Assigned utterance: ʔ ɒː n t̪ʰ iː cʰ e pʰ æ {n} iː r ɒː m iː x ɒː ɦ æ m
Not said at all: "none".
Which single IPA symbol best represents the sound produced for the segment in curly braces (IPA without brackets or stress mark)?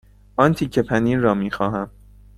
n